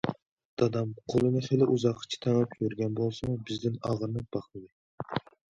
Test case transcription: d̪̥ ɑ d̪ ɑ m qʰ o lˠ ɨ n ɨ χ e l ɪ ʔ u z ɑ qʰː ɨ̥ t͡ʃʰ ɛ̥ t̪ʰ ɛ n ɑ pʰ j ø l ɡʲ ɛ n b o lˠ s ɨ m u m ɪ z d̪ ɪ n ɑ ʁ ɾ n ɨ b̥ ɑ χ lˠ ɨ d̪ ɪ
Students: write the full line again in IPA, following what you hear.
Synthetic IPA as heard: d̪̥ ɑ d̪ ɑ m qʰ o lˠ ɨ n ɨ χ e l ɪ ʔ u z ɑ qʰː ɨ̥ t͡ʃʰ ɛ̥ t̪ʰ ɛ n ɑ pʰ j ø ɾ ɡʲ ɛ n b o lˠ s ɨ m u b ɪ z d̪ ɪ n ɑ ʁ ɾ n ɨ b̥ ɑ χ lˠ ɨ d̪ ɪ